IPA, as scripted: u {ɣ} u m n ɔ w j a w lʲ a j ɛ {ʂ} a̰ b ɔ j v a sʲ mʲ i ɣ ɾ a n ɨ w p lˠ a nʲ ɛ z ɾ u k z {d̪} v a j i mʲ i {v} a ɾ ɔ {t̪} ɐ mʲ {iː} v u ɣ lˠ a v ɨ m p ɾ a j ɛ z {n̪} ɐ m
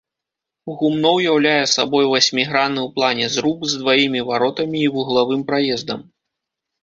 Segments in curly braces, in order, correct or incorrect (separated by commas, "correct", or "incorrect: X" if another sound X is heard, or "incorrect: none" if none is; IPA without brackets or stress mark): correct, incorrect: s, correct, correct, correct, correct, incorrect: d̪